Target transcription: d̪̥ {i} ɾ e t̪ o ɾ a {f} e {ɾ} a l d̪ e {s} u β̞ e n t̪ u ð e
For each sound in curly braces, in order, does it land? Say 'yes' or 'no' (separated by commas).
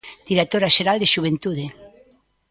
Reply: yes, no, yes, no